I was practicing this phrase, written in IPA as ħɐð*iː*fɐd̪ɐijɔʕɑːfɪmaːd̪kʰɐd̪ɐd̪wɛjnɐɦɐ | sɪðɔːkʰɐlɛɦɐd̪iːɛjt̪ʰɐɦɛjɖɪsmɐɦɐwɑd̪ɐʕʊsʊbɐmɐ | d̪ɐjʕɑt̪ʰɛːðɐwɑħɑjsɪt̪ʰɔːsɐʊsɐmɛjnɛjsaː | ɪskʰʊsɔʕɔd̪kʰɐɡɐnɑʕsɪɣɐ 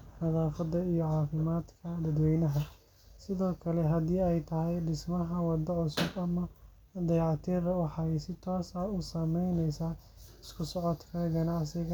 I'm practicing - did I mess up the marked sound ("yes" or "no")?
yes